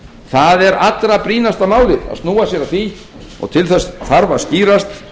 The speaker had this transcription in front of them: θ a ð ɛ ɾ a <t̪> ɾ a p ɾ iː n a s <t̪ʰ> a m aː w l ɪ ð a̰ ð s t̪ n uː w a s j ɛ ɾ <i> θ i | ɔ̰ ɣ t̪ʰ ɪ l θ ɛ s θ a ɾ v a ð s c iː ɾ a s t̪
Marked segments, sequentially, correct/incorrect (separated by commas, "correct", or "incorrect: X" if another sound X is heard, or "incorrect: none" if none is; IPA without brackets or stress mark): correct, incorrect: t̪, incorrect: a